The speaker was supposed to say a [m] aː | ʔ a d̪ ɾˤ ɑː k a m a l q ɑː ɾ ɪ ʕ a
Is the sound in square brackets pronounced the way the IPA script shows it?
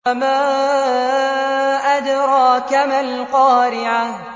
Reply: yes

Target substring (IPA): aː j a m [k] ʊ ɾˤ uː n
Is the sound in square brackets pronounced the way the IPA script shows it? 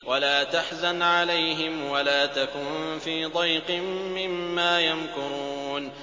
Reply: yes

